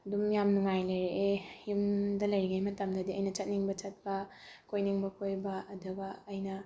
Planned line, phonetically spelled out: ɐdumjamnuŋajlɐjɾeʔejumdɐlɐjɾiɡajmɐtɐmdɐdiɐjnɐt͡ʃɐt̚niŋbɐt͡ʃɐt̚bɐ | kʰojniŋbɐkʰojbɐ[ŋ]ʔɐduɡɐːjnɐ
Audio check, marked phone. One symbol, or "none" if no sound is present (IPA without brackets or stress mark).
none